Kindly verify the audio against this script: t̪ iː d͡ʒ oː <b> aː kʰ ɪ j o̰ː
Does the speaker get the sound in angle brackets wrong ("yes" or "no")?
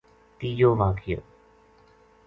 yes